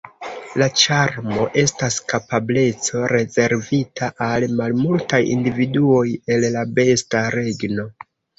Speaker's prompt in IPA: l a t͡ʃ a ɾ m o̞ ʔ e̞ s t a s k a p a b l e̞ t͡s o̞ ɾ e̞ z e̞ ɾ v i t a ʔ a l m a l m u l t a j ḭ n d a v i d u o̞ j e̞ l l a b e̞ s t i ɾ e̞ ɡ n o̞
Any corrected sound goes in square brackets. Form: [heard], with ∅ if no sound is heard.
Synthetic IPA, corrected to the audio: l a t͡ʃ a ɾ m o̞ ʔ e̞ s t a s k a p a b l e̞ t͡s o̞ ɾ e̞ z e̞ ɾ v i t a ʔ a l m a l m u l t a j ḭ n d [i] v i d u o̞ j e̞ l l a b e̞ s t [a] ɾ e̞ ɡ n o̞